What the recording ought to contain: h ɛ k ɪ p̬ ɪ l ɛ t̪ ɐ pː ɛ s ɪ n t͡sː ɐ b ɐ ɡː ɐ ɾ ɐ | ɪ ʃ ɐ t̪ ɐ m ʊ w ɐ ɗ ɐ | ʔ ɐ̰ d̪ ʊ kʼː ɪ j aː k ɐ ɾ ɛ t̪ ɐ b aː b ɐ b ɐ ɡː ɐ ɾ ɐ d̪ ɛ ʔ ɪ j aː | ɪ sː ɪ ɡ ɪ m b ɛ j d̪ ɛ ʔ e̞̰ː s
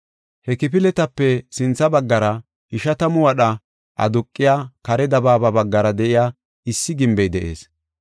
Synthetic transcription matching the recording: h ɛ k ɪ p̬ ɪ l ɛ t̪ ɐ pː ɛ s ɪ n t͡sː ɐ b ɐ ɡː ɐ ɾ ɐ | ɪ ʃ ɐ t̪ ɐ m ʊ w ɐ ɗ ɐ | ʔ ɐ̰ d̪ ʊ kʼː ɪ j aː k ɐ ɾ ɛ d̪ ɐ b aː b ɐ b ɐ ɡː ɐ ɾ ɐ d̪ ɛ ʔ ɪ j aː | ɪ sː ɪ ɡ ɪ m b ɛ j d̪ ɛ ʔ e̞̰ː s